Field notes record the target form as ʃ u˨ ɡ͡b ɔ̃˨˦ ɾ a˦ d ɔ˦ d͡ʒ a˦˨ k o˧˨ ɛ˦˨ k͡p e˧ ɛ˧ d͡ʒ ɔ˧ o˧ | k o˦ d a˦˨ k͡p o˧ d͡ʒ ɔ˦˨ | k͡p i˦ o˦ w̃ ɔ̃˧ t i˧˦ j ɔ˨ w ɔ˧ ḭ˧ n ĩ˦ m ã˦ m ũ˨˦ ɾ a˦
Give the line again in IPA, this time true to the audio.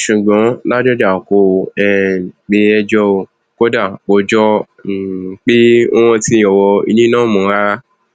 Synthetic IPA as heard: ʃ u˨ ɡ͡b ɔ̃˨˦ l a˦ d͡ʒ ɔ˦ d͡ʒ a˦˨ k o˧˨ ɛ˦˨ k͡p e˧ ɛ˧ d͡ʒ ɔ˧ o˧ | k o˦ d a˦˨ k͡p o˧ d͡ʒ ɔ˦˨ | k͡p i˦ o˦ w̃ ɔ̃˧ t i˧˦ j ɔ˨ w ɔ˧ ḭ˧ n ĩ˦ n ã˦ m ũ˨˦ ɾ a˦

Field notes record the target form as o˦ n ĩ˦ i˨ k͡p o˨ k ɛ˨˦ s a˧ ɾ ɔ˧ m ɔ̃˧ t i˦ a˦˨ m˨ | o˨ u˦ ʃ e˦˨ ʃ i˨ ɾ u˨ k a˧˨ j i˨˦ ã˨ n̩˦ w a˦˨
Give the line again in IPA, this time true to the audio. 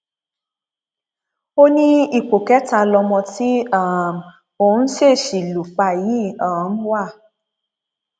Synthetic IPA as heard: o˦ n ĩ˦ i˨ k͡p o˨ k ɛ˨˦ t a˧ l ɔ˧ m ɔ̃˧ t i˦ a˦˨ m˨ | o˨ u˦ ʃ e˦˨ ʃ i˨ l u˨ k͡p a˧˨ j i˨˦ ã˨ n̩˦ w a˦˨

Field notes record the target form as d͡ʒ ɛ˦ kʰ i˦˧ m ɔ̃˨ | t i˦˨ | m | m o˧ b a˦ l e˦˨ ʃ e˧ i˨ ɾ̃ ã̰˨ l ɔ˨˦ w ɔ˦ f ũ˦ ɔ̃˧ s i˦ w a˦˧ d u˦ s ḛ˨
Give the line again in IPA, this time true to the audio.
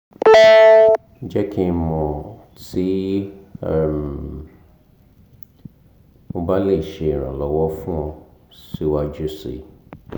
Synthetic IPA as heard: d͡ʒ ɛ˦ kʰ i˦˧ m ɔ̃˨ | t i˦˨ | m | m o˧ b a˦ l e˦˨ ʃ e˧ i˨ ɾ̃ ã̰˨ l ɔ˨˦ w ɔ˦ f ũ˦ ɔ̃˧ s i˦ w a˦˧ d͡ʒ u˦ s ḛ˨

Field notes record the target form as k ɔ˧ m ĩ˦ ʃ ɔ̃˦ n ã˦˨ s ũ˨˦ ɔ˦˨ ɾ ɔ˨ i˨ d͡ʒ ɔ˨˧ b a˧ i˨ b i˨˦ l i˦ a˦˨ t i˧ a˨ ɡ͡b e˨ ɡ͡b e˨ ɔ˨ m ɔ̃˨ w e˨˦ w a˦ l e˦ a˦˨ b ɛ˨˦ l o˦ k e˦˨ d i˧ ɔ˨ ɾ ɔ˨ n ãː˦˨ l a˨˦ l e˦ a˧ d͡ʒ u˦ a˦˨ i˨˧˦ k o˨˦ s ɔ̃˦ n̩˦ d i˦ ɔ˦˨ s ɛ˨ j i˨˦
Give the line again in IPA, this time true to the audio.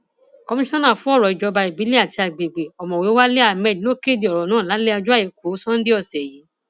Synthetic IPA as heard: k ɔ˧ m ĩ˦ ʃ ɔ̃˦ n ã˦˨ f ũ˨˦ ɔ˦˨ ɾ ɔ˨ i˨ d͡ʒ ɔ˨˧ b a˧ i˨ b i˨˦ l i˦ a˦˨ t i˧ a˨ ɡ͡b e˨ ɡ͡b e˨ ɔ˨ m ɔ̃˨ w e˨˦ w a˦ l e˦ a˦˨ m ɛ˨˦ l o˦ k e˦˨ d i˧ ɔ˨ ɾ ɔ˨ n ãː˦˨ l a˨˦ l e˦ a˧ d͡ʒ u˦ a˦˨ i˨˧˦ k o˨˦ s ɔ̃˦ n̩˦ d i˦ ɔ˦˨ s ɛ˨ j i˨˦

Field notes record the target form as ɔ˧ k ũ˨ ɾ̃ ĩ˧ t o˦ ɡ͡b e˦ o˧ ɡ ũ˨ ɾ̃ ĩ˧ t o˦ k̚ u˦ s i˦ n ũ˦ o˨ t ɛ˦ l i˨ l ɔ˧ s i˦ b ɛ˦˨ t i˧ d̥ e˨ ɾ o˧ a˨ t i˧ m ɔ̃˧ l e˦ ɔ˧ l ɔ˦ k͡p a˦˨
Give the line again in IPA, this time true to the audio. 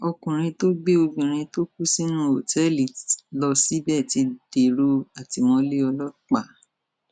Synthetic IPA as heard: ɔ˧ k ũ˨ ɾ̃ ĩ˧ t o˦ ɡ͡b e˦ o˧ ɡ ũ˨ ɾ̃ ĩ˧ t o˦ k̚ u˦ s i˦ n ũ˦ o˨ t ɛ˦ l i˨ l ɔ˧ s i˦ b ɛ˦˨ t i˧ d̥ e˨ ɾ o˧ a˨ t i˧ m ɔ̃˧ l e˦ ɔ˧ l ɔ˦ k͡p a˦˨

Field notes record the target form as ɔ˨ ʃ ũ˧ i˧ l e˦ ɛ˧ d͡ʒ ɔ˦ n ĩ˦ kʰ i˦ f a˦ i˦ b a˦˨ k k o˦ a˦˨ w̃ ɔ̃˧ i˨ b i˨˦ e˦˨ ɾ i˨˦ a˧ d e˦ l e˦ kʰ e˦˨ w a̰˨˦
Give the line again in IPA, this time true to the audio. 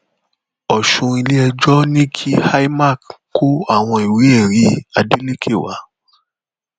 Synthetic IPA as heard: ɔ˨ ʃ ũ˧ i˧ l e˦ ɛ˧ d͡ʒ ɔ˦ n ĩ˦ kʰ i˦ h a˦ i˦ m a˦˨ k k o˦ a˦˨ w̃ ɔ̃˧ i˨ w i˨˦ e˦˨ ɾ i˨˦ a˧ d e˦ l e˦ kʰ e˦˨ w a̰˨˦

